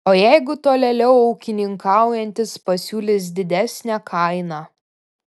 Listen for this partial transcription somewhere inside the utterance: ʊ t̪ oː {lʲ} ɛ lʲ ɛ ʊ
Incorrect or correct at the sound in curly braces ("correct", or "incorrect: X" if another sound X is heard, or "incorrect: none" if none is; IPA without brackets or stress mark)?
correct